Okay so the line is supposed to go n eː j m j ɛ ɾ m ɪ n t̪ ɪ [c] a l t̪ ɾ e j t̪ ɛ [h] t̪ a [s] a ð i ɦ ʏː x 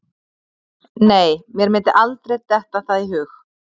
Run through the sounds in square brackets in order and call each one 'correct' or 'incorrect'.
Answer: incorrect: ʔ, correct, incorrect: θ

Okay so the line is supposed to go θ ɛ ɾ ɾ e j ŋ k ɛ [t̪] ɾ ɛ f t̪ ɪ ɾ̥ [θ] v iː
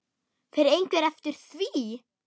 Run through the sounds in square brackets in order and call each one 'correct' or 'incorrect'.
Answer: incorrect: none, correct

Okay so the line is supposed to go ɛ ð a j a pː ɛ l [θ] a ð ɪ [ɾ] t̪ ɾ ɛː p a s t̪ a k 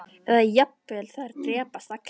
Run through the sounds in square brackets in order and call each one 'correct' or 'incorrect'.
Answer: correct, correct

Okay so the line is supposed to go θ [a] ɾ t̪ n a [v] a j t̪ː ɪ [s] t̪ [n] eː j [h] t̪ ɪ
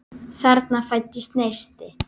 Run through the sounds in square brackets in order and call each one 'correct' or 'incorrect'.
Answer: incorrect: ɛ, incorrect: f, correct, correct, incorrect: s

